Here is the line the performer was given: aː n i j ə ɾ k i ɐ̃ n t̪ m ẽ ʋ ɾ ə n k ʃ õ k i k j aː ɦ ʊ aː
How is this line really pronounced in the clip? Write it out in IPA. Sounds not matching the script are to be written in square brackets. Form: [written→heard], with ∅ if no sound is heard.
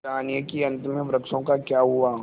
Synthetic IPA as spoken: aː n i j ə [ɾ→∅] k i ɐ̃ n t̪ m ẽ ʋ ɾ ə [n→∅] k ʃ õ k [i→a] k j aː ɦ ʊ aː

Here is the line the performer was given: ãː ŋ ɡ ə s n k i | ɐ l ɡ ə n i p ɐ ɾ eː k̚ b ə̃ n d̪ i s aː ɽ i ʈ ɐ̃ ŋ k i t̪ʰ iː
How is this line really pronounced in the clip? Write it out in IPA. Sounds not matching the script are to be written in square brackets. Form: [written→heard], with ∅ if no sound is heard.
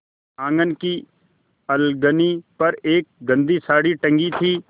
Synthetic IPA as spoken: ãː ŋ ɡ ə [s→∅] n k i | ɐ l ɡ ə n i p ɐ ɾ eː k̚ [b→ɡ] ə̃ n d̪ i s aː ɽ i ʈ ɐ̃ ŋ [k→ɡ] i t̪ʰ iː

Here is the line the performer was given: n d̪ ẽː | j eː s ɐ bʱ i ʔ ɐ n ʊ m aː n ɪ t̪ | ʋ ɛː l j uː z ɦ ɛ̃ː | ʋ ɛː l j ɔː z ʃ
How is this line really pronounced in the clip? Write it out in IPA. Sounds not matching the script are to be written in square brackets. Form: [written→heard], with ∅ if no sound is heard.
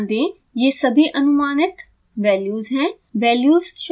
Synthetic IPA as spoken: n d̪ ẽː | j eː s ɐ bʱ i ʔ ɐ n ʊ m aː n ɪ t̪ | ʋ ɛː l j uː z ɦ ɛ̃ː | ʋ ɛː l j [ɔː→uː] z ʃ

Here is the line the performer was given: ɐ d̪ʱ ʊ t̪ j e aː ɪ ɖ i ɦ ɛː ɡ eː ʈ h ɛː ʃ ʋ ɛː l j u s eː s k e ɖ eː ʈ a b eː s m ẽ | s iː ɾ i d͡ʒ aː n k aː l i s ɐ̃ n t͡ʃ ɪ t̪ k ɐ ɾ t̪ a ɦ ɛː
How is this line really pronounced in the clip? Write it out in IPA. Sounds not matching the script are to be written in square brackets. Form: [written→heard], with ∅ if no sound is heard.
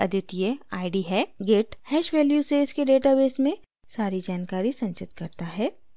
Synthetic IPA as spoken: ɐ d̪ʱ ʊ t̪ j e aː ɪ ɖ i ɦ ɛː ɡ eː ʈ h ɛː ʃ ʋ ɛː l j u s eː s k e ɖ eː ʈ a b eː s m ẽ | s [iː→aː] ɾ i d͡ʒ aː n k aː [l→ɾ] i s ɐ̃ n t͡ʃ ɪ t̪ k ɐ ɾ t̪ a ɦ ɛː

